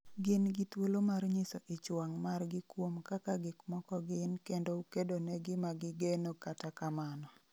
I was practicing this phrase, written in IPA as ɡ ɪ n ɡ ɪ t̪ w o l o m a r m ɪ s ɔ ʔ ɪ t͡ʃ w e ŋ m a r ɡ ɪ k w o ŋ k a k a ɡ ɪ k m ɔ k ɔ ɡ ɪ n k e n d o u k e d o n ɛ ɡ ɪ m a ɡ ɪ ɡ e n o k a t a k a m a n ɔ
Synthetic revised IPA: ɡ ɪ n ɡ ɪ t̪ w o l o m a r ɲ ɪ s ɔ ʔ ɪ t͡ʃ w a ŋ m a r ɡ ɪ k w o m k a k a ɡ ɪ k m ɔ k ɔ ɡ ɪ n k e n d o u k e d o n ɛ ɡ ɪ m a ɡ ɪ ɡ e n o k a t a k a m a n ɔ